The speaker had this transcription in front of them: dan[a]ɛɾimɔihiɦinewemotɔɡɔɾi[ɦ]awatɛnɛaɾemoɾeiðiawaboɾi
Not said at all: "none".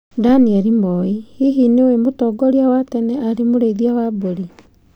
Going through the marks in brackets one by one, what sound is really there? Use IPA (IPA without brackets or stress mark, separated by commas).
i, none